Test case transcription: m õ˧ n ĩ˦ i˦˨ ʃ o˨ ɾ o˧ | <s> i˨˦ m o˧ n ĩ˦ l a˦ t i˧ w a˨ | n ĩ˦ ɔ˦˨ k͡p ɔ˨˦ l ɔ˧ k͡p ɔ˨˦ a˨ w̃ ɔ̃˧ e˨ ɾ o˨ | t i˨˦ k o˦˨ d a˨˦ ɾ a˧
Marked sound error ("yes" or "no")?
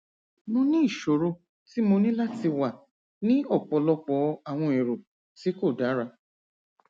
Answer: yes